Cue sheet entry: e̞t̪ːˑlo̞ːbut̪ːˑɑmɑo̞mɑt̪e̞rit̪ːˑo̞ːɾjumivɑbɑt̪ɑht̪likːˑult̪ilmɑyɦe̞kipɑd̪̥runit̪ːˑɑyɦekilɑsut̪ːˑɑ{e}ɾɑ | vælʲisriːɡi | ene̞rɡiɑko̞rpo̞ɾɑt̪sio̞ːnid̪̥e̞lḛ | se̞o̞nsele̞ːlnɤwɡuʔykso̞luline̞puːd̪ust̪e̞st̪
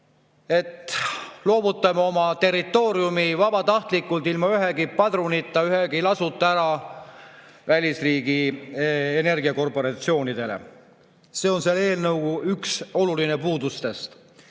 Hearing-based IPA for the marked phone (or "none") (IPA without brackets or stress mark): æ